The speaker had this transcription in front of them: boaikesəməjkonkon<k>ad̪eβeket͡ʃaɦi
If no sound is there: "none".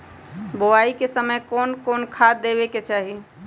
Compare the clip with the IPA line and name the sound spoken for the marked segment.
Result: kʰ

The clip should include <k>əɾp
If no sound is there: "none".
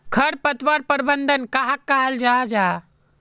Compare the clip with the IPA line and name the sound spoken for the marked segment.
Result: kʰ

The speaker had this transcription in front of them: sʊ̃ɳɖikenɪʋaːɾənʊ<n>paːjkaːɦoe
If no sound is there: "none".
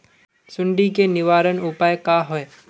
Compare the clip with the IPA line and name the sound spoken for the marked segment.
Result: none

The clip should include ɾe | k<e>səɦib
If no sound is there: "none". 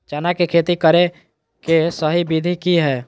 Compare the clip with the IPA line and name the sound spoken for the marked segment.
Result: e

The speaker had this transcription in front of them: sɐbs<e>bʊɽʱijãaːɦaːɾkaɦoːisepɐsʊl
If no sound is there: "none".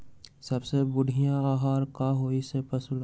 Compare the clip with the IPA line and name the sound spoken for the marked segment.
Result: e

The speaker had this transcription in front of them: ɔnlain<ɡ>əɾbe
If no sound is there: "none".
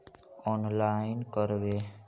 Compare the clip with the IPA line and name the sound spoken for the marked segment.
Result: k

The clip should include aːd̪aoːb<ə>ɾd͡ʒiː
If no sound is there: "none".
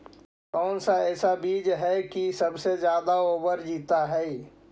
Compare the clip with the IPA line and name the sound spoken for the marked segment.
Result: ə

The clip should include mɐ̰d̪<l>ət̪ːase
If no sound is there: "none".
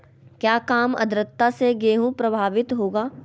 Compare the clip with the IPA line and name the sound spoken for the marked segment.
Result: ɾ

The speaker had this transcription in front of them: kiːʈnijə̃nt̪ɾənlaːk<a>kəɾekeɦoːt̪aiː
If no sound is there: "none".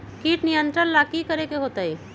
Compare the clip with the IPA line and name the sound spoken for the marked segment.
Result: i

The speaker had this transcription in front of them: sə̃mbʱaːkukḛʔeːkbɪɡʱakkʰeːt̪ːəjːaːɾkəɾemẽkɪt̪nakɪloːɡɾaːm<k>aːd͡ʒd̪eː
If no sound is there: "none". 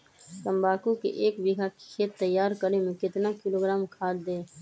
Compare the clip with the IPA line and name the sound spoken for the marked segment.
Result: kʰ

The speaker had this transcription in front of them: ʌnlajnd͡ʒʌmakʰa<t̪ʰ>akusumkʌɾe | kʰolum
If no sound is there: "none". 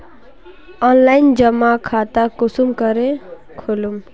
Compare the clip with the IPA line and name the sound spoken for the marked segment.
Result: t̪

